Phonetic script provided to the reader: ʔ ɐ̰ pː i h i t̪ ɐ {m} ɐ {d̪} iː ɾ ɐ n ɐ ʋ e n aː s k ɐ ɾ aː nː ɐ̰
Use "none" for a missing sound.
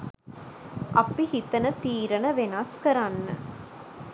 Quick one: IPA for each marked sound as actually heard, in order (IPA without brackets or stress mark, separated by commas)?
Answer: n, t̪